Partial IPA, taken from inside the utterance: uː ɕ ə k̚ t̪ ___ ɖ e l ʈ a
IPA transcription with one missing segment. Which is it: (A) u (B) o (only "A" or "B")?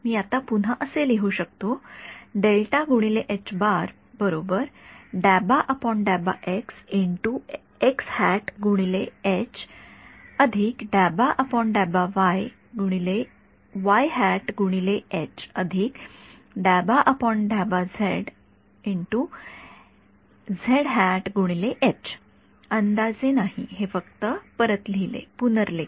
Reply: B